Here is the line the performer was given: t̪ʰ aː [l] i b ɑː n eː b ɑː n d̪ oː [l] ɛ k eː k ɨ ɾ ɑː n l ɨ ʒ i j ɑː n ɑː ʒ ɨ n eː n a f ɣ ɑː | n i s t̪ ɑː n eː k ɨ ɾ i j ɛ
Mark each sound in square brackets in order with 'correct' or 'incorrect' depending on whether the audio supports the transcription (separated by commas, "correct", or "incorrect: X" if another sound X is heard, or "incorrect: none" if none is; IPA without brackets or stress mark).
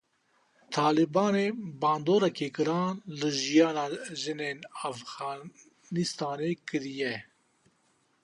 correct, incorrect: ɾ